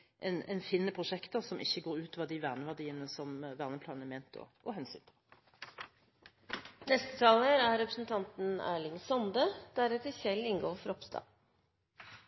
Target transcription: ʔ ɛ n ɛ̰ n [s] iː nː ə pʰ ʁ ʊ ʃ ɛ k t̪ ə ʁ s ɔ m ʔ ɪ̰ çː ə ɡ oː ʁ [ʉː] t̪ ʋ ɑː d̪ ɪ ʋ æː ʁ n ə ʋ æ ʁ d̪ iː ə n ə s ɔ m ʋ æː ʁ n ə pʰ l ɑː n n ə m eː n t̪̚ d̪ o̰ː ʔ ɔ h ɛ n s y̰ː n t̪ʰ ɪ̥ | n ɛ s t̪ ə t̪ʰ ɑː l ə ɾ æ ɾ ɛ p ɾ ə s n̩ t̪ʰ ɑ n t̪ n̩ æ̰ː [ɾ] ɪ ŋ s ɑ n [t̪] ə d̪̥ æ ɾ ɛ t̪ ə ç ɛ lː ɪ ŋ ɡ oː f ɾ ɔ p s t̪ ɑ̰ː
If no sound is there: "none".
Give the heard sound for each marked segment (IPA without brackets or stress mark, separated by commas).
f, ʉː, ɭ, d̪